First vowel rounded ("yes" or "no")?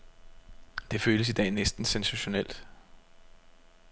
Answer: no